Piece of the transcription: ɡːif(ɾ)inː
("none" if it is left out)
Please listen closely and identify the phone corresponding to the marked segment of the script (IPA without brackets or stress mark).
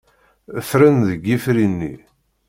ɾ